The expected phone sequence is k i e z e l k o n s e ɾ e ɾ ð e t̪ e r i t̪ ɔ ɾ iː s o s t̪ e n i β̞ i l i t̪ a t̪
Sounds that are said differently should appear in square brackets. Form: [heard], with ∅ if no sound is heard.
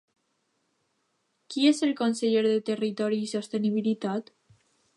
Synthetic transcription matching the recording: k i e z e l k o n s e [ʎ] e ɾ ð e t̪ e r i t̪ ɔ ɾ iː s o s t̪ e n i β̞ i l i t̪ a t̪